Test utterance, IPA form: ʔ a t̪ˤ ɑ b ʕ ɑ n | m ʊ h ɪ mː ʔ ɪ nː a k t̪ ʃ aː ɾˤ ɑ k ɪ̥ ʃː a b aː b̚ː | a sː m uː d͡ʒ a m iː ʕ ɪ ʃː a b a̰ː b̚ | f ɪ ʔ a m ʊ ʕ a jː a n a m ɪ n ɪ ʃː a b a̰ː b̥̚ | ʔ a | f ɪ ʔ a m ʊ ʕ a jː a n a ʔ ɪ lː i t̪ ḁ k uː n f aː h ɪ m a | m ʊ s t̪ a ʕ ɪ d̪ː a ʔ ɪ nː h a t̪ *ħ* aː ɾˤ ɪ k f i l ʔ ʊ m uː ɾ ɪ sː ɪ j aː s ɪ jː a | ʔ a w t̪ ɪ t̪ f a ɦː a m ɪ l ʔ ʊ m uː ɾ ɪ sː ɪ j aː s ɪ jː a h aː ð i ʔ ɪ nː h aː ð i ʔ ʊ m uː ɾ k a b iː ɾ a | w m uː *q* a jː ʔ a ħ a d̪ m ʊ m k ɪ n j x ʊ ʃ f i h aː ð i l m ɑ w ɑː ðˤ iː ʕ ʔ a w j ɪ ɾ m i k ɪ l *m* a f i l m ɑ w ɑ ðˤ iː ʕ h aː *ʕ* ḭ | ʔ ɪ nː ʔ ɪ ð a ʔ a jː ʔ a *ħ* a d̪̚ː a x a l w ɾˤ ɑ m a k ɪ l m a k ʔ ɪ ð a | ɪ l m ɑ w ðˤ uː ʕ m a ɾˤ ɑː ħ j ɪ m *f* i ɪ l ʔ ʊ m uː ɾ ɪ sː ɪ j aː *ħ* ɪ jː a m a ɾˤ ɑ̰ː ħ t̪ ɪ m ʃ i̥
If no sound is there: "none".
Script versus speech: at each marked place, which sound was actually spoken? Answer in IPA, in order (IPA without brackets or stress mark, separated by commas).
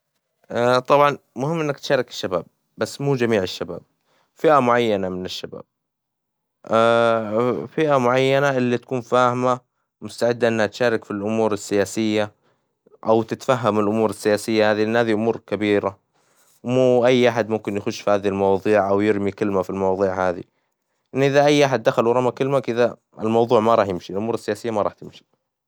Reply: ʃ, ʔ, m, ð, ħ, ʃ, s